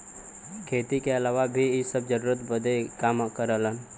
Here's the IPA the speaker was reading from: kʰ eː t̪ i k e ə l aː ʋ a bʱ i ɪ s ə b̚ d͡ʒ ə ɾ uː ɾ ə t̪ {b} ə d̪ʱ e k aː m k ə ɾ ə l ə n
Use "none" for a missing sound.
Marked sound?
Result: b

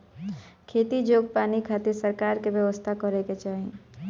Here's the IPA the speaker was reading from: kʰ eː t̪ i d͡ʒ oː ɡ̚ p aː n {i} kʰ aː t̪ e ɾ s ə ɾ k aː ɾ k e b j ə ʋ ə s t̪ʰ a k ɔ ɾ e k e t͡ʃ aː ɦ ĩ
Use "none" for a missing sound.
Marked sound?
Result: i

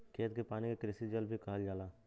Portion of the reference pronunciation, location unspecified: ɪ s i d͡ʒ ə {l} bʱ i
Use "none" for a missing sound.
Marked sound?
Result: l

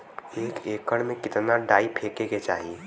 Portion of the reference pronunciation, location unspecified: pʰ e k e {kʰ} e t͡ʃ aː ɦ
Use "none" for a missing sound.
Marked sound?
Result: k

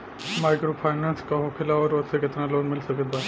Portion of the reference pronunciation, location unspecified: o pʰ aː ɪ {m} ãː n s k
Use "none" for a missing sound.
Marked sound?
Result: n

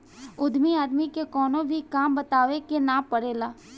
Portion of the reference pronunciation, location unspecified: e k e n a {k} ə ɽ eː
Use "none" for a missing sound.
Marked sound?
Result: p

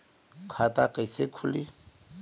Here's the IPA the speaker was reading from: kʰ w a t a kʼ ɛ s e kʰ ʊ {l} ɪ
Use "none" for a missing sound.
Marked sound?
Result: l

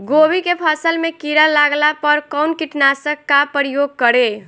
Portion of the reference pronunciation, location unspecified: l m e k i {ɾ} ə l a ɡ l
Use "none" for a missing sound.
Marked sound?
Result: ɾ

